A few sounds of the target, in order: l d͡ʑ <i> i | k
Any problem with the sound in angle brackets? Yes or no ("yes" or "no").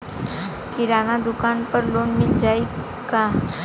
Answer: yes